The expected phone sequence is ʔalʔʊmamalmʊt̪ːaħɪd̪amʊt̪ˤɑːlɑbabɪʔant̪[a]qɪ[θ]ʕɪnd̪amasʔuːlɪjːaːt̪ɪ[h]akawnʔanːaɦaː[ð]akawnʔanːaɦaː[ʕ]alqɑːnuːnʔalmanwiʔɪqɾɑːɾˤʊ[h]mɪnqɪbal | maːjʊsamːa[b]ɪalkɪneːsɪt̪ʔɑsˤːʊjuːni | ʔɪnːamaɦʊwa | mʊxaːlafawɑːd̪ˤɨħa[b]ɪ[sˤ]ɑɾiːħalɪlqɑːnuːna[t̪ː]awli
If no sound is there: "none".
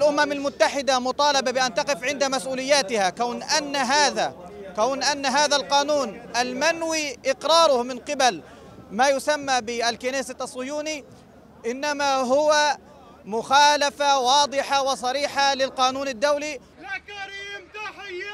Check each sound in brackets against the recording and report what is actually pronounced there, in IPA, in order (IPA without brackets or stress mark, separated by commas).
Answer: ɑ, f, h, ð, ð, h, b, w, sˤ, d̪ː